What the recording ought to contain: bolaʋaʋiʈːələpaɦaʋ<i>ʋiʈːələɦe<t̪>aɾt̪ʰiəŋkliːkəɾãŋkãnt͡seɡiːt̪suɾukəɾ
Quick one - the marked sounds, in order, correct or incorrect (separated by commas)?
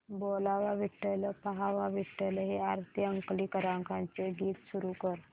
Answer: incorrect, incorrect